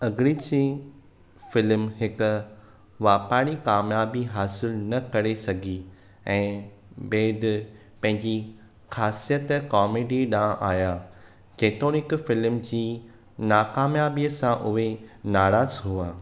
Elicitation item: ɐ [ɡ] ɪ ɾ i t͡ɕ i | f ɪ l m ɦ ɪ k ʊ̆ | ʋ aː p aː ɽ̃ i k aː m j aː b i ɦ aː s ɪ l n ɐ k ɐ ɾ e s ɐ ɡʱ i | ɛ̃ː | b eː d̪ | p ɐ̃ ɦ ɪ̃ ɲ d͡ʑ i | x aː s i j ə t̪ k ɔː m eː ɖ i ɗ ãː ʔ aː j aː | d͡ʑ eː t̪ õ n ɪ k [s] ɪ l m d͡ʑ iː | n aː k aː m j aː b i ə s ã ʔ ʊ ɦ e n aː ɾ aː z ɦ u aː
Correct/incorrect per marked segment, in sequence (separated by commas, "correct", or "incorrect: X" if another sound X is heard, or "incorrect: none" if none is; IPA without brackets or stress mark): correct, incorrect: f